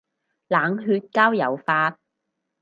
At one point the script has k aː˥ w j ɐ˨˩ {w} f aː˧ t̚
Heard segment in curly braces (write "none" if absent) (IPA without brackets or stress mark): w